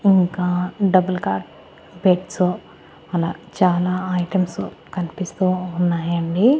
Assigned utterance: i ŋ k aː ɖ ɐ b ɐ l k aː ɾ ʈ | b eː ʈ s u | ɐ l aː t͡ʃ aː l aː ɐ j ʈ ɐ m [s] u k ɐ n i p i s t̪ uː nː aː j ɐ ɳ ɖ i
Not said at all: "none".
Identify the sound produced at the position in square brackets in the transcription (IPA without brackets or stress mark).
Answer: s